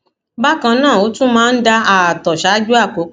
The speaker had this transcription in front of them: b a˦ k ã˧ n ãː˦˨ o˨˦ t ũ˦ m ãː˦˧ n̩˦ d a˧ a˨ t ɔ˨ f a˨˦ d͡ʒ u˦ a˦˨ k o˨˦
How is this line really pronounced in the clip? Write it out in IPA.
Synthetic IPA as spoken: b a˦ k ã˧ n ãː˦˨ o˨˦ t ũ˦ m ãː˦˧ n̩˦ d a˧ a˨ t ɔ˨ ʃ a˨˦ d͡ʒ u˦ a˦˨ k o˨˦